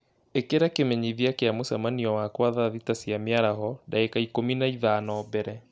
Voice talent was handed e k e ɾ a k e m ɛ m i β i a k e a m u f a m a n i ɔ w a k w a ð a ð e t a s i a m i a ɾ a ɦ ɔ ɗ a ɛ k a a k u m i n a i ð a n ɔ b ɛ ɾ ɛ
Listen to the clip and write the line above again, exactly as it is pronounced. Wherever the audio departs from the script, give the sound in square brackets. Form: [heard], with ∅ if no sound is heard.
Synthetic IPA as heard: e k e ɾ a k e m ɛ [ɲ] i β i a k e a m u [s] a m a n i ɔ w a k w a ð a ð [i] t a s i a m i a ɾ a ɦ ɔ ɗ a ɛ k a [i] k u m i n a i ð a n ɔ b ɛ ɾ ɛ